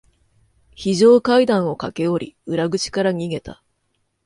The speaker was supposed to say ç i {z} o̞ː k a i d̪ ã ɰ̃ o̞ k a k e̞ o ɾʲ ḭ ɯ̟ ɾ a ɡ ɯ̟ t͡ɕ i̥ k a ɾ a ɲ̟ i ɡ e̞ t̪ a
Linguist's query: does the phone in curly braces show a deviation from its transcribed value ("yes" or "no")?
yes